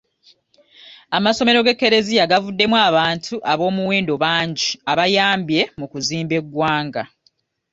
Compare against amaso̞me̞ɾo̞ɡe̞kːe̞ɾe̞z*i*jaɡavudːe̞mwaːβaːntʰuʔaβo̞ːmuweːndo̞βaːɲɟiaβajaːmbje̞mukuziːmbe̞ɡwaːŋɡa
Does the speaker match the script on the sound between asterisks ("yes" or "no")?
yes